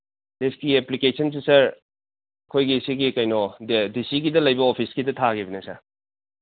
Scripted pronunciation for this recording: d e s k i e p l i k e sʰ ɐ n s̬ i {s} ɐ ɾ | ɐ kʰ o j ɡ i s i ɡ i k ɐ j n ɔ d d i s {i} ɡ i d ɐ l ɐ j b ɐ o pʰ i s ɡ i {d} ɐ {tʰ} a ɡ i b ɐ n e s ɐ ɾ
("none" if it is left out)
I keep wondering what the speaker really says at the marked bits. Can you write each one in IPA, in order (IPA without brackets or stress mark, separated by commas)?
s, i, d, tʰ